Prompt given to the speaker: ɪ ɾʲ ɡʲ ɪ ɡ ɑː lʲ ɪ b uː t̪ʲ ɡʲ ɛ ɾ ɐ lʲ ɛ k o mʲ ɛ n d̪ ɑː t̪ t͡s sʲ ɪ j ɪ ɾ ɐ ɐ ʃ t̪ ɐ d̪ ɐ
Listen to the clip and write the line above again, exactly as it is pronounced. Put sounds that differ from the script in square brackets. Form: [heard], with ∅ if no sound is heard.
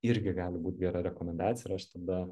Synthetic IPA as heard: ɪ ɾʲ ɡʲ ɪ ɡ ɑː lʲ ɪ b uː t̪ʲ ɡʲ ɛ ɾ ɐ [ɾʲ] ɛ k o mʲ ɛ n d̪ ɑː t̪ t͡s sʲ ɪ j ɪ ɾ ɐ ɐ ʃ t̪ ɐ d̪ ɐ